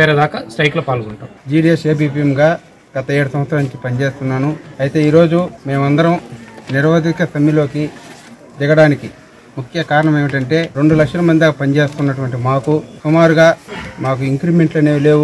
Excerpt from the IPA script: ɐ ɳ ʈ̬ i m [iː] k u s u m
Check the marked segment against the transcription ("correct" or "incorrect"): incorrect